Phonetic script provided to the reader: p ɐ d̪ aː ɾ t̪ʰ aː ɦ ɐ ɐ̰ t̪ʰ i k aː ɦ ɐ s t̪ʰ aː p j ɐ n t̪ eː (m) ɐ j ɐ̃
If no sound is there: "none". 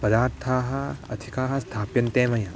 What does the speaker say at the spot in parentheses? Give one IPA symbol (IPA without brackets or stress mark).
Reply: m